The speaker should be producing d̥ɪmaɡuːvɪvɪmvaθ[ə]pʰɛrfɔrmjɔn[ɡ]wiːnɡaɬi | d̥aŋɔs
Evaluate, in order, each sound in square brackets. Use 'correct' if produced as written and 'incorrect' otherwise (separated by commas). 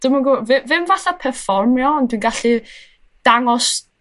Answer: incorrect, incorrect